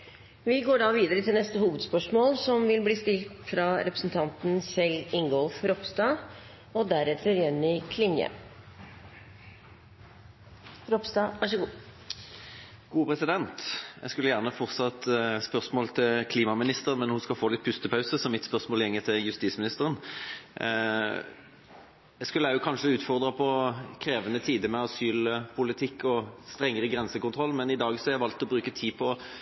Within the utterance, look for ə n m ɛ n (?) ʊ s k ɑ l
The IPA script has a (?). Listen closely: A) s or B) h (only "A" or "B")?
B